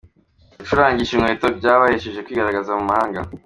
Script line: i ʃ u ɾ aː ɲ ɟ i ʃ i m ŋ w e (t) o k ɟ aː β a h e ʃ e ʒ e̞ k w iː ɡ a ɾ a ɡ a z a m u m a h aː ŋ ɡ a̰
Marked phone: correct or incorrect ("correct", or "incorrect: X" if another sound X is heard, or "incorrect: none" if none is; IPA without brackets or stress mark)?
correct